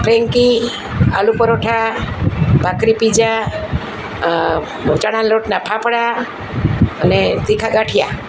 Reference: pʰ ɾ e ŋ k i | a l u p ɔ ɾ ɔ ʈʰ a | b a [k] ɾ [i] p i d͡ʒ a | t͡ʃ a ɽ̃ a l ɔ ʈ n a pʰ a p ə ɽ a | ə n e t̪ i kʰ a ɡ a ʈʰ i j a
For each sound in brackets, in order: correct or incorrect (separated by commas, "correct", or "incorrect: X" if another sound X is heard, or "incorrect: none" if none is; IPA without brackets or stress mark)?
correct, correct